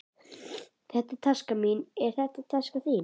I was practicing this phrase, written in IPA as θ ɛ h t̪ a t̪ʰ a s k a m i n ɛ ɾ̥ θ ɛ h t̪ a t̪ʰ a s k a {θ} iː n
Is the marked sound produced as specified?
yes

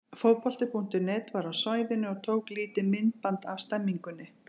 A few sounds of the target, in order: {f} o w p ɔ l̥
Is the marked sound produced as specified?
yes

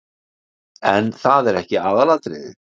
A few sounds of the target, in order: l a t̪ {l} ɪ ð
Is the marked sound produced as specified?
no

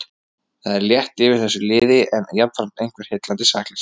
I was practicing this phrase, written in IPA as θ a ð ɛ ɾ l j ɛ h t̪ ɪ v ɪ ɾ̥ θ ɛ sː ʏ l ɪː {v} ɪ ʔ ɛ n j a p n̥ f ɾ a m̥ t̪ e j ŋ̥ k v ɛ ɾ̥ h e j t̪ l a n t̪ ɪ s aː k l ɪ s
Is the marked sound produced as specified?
no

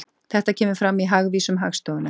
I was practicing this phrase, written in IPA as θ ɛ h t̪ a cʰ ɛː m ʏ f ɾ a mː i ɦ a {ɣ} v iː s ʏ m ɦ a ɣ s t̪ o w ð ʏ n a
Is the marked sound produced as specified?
yes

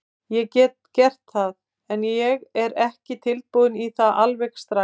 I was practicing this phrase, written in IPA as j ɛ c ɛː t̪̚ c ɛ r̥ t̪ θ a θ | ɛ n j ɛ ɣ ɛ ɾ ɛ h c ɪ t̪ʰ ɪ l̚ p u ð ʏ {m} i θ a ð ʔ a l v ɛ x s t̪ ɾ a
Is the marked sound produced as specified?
no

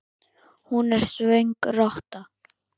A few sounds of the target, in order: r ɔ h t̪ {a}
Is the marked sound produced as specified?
yes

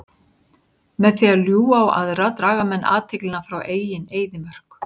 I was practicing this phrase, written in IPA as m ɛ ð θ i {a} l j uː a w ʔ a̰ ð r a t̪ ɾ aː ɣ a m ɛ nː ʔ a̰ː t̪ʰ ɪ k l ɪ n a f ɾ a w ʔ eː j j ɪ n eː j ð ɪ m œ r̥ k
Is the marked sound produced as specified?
yes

